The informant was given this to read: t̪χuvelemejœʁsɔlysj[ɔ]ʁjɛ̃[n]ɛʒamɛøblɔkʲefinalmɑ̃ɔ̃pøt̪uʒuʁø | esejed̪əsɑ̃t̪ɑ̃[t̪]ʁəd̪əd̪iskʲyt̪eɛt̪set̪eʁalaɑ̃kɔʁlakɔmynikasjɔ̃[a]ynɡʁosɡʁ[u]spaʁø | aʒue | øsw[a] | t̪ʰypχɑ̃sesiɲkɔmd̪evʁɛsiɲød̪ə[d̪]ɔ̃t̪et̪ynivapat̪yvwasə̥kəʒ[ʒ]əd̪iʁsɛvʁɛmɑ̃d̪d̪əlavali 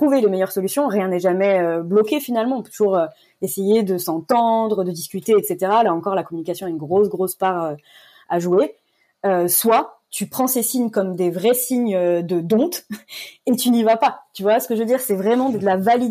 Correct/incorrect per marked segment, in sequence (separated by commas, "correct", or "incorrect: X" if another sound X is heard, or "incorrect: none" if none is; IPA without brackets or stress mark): incorrect: ɔ̃, correct, incorrect: d̪, correct, incorrect: o, correct, correct, incorrect: v